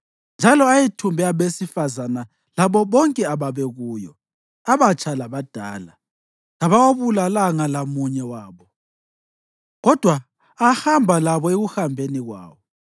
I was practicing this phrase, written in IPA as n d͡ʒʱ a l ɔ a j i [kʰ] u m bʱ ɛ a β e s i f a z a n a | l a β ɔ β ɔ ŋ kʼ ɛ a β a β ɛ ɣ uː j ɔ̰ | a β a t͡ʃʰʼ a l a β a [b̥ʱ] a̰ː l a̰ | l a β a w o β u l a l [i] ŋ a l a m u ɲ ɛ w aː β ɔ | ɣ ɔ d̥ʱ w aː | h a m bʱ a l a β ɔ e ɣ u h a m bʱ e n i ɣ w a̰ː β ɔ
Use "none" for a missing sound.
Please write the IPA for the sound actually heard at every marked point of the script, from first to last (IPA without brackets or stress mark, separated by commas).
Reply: tʰ, d̥ʱ, a